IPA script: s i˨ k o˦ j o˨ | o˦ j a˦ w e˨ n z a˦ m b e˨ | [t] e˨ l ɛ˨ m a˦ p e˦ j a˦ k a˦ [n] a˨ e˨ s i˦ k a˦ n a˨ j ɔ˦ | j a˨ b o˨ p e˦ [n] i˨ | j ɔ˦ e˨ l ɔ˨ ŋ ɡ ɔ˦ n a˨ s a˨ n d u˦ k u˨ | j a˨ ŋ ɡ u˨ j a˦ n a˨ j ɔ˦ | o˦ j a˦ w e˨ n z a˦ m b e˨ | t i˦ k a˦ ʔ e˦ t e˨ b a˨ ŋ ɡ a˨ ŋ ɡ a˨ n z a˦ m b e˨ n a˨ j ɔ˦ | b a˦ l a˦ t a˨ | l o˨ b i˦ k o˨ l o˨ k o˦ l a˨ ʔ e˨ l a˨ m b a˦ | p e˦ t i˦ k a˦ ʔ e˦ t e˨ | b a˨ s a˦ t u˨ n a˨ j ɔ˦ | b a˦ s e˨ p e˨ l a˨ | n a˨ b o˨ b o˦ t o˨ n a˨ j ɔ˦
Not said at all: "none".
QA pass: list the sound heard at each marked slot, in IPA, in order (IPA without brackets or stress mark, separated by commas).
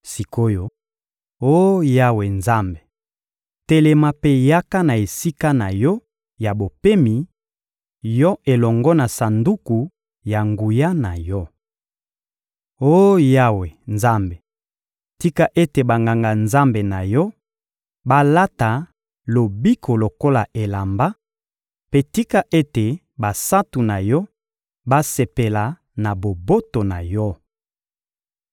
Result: t, n, m